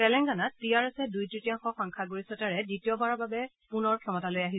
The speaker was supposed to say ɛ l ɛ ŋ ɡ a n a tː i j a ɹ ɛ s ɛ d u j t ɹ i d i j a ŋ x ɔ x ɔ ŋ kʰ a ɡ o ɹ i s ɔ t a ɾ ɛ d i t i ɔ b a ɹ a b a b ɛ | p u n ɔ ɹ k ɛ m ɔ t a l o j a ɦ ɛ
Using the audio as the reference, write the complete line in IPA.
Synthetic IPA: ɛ l ɛ ŋ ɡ a n a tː i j a ɹ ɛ s ɛ d u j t ɹ i t i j a ŋ x ɔ x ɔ ŋ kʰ a ɡ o ɹ i s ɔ t a ɹ ɛ d i t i ɔ b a ɹ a b a b ɛ | p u n ɔ ɹ kʰ ɛ m ɔ t a l o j a ɦ i